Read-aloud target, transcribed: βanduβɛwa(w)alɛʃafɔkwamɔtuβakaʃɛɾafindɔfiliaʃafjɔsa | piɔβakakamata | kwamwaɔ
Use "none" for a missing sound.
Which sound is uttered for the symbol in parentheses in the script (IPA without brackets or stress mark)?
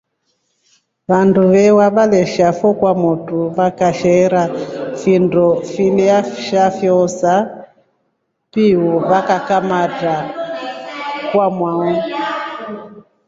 β